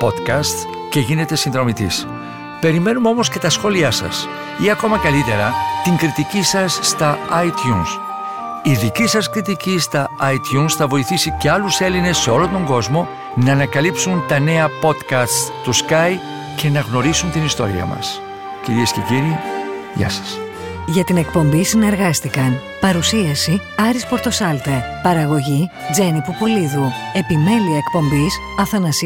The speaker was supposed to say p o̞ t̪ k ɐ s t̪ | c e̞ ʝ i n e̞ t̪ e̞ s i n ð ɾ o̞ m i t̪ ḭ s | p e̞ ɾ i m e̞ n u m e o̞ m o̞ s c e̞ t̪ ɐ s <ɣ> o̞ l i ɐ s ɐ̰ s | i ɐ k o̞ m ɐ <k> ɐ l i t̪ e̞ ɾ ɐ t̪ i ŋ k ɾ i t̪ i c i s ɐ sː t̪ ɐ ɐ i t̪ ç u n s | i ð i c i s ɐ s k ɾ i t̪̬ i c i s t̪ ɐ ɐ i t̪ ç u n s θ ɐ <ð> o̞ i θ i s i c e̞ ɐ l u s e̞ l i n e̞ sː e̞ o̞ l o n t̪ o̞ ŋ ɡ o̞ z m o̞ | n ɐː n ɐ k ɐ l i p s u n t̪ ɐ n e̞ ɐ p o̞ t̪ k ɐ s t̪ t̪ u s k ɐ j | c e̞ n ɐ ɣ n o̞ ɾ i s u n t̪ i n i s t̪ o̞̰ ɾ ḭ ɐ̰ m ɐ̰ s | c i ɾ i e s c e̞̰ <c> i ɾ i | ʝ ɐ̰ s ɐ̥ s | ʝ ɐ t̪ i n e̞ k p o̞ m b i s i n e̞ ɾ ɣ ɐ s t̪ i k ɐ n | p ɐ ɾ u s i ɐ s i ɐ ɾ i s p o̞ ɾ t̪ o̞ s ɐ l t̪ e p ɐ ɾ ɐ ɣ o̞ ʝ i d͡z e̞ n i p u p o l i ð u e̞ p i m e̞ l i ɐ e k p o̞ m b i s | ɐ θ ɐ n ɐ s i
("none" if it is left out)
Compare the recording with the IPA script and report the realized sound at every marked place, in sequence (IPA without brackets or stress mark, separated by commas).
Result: x, k, v, c